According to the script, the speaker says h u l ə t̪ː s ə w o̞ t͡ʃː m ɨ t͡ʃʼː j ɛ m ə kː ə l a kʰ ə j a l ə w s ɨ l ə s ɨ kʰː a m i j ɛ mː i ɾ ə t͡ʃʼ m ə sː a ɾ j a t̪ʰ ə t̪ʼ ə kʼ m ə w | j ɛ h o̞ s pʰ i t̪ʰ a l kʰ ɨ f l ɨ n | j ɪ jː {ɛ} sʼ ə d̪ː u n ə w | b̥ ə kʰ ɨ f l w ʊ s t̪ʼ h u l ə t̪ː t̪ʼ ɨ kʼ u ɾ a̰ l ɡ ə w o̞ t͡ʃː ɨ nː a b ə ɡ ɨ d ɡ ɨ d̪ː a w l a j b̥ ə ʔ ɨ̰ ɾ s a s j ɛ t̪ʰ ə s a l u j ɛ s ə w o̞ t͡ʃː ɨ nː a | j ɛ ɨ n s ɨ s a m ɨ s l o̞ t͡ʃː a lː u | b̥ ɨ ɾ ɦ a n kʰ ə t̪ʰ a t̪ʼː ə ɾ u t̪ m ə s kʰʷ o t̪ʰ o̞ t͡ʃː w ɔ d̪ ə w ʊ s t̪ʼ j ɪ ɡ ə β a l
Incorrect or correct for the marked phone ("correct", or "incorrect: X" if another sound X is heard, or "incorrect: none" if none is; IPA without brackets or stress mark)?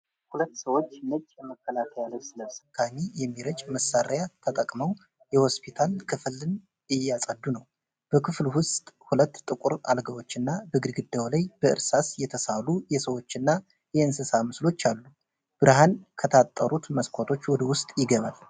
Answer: incorrect: a